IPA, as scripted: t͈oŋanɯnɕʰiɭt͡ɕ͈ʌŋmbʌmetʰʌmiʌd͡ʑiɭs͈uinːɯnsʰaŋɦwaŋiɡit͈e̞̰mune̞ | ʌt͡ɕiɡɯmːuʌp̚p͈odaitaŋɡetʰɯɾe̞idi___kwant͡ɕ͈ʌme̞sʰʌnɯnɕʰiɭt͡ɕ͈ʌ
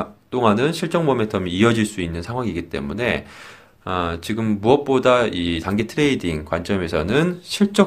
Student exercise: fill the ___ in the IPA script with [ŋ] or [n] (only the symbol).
ŋ